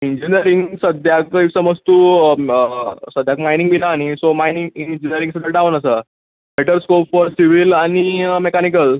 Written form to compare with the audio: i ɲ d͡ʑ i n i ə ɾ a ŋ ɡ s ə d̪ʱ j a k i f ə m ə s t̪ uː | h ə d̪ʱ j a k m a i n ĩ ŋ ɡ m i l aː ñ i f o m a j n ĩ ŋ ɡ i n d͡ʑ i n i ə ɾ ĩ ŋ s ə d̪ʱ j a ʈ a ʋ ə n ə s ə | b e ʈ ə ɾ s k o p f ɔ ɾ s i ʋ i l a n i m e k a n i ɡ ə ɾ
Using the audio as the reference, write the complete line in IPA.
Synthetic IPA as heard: i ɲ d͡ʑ i n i ə ɾ i ŋ ɡ s ə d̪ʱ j a k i s ə m ə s t̪ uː | s ə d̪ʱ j a k m a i n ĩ ŋ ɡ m i l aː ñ i s o m a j n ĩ ŋ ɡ i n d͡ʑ i n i ə ɾ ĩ ŋ s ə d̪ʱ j a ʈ a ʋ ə n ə s ə | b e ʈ ə ɾ s k o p f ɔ ɾ s i ʋ i l a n i m e k a n i k ə l